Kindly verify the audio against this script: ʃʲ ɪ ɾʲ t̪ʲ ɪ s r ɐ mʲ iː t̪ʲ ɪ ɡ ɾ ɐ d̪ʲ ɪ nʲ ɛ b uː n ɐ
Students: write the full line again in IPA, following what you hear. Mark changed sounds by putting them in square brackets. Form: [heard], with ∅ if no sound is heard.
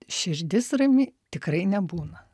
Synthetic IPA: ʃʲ ɪ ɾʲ [d̪ʲ] ɪ s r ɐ mʲ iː t̪ʲ ɪ [k] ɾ ɐ [∅] ɪ nʲ ɛ b uː n ɐ